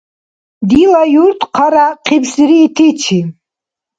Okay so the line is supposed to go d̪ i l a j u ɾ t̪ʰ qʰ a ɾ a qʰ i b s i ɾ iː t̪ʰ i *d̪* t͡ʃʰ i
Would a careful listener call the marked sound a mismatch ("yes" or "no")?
yes